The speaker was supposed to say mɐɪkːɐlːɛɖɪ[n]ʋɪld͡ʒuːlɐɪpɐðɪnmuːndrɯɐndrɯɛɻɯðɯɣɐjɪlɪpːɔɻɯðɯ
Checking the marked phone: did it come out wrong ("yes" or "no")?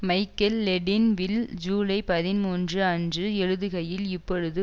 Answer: no